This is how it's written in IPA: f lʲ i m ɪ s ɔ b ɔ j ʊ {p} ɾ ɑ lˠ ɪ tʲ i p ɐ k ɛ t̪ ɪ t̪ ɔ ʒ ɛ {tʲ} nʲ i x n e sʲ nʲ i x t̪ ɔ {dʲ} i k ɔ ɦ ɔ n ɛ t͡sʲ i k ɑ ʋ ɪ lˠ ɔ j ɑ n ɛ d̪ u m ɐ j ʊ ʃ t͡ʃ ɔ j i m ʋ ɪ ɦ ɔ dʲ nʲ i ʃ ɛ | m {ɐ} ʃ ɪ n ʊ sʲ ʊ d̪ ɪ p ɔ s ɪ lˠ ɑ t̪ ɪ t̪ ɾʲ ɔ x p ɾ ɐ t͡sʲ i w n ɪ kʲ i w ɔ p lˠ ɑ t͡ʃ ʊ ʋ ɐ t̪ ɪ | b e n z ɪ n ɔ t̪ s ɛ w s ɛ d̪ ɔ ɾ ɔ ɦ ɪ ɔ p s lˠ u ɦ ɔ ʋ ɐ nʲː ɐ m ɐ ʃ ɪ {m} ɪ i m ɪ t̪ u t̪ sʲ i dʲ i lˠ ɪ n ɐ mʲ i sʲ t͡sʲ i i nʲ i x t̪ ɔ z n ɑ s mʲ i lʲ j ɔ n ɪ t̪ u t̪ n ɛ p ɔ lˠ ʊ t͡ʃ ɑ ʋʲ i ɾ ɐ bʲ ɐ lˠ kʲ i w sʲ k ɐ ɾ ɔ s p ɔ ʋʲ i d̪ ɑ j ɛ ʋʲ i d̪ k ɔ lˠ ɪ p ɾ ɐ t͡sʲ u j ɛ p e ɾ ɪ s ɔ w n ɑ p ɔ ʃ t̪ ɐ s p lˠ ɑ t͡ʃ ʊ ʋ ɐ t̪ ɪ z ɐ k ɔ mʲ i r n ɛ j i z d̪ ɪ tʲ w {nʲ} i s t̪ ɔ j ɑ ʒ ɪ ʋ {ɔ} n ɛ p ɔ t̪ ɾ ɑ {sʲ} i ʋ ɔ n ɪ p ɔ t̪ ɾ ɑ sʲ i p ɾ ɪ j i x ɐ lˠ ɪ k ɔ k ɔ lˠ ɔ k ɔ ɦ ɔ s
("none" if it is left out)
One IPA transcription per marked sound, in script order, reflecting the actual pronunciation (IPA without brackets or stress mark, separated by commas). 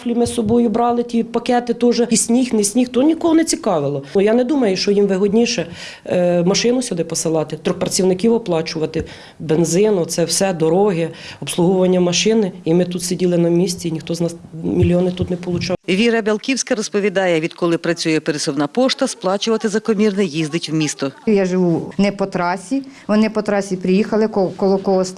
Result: b, sʲ, nʲ, ɐ, n, mʲ, u, sʲ